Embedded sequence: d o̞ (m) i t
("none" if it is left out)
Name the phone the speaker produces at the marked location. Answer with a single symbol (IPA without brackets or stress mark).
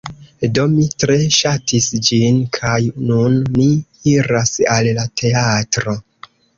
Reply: m